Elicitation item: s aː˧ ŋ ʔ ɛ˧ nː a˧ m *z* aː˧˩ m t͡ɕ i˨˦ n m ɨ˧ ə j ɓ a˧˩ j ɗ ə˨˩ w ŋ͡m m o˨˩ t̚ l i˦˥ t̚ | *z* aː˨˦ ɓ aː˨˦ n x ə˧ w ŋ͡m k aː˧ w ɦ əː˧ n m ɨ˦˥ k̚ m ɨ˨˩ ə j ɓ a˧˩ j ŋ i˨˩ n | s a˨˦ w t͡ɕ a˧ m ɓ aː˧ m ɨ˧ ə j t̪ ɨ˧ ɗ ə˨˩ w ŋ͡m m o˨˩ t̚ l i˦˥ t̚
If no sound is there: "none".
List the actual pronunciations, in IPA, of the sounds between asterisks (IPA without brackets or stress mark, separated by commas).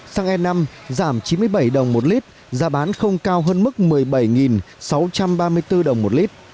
z, z